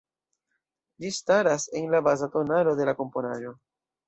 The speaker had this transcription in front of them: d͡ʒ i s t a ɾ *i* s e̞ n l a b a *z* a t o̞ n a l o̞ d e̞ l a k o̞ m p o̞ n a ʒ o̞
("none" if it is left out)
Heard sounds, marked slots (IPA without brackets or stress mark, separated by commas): a, z